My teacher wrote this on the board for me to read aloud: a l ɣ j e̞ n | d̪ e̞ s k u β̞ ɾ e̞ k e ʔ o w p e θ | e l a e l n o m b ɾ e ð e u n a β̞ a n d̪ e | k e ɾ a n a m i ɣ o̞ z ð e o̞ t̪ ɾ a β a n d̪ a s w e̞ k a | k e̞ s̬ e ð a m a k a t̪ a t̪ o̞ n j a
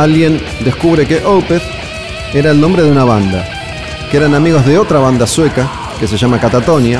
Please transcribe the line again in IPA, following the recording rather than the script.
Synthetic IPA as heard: a l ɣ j e̞ n | d̪ e̞ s k u β̞ ɾ e̞ k e ʔ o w p e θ | e ɾ a e l n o m b ɾ e ð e u n a β̞ a n d̪ a | k e ɾ a n a m i ɣ o̞ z ð e o̞ t̪ ɾ a β a n d̪ a s w e̞ k a | k e̞ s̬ e ʒ a m a k a t̪ a t̪ o̞ n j a